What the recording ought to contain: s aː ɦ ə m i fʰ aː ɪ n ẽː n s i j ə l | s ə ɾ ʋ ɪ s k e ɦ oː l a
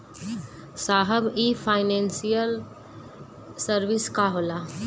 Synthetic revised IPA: s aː ɦ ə b i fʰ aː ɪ n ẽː n s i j ə l | s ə ɾ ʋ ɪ s k a ɦ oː l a